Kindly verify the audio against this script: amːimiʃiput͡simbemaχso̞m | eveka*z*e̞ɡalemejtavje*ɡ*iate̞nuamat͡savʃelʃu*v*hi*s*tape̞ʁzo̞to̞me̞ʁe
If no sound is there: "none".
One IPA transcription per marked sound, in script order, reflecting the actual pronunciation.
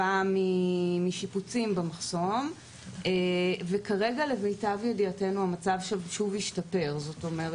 ʁ, d, v, ʃ

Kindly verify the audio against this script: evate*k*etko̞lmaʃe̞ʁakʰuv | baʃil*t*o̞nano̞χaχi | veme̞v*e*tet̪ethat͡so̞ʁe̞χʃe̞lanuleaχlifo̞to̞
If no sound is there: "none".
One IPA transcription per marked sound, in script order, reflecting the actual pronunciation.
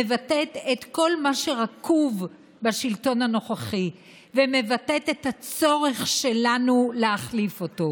t, t, a

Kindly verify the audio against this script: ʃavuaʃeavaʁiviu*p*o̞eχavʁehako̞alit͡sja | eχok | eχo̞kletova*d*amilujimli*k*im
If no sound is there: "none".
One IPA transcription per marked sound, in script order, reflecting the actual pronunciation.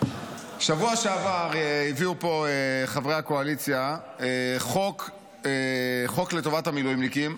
p, t, k

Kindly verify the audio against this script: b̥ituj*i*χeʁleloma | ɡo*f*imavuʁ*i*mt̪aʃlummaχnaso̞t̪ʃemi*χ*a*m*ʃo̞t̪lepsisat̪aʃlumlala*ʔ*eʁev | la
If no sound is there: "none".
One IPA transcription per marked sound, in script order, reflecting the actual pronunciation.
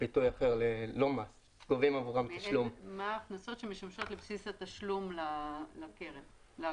a, v, a, ʃ, m, k

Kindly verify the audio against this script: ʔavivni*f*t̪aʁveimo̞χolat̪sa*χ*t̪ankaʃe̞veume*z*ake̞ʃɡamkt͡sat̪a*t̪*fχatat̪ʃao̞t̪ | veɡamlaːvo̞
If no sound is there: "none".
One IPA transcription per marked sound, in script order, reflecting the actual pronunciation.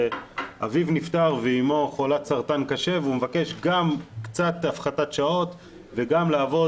f, ʁ, v, none

